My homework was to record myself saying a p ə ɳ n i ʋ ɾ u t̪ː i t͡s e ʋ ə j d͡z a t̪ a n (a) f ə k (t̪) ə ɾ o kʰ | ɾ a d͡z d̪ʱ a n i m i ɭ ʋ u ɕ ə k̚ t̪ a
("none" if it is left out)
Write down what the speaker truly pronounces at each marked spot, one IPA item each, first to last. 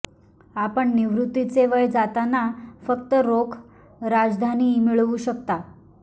a, t̪

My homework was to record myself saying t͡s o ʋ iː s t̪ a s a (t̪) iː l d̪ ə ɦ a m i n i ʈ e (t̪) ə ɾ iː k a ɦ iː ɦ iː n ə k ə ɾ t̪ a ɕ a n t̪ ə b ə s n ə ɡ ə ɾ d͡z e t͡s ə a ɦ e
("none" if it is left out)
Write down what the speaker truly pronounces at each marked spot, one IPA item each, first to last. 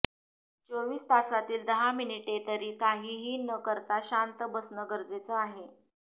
t̪, t̪

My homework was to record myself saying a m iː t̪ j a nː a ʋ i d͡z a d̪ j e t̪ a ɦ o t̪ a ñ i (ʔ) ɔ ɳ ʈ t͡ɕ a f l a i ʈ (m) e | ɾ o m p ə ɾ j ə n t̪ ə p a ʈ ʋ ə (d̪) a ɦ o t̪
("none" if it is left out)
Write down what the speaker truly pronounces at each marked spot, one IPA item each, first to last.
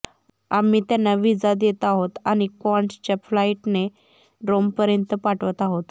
k, n, t̪

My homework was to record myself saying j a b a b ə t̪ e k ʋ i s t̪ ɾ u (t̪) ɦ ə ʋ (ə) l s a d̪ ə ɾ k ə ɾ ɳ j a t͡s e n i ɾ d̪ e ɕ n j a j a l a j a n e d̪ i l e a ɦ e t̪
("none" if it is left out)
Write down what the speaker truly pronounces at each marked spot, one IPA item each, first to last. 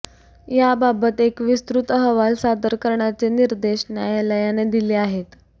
t̪, a

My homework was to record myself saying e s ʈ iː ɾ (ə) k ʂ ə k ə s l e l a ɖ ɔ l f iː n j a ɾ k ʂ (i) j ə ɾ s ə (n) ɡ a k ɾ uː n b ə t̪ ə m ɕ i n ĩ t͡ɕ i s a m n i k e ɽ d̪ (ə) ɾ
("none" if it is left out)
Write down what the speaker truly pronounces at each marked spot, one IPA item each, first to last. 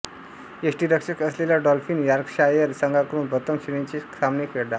ə, a, ŋ, a

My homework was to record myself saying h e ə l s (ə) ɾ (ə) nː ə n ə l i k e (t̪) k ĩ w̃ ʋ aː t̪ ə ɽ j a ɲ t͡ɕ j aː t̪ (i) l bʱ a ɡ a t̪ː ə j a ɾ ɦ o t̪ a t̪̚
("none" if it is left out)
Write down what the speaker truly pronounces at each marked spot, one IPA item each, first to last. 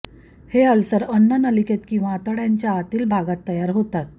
ə, ə, t̪, iː

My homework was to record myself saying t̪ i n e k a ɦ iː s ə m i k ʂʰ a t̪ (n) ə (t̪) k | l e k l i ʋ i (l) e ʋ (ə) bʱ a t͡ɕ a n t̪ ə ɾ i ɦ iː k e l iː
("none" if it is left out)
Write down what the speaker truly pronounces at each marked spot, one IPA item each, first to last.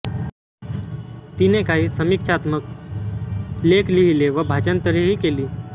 m, none, l, ə

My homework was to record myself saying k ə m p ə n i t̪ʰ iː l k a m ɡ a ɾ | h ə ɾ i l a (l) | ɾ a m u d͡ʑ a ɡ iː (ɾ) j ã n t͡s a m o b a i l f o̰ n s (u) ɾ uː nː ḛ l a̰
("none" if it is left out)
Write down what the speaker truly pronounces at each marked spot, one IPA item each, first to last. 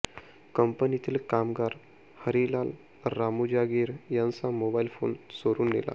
l, ɾ, o

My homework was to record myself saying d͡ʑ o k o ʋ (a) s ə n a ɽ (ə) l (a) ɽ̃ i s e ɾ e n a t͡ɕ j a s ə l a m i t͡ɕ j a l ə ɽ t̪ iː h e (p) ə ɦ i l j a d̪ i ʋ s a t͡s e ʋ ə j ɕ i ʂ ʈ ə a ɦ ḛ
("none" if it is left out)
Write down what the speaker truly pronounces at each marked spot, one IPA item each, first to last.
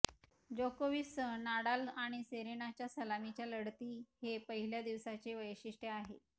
i, a, a, p

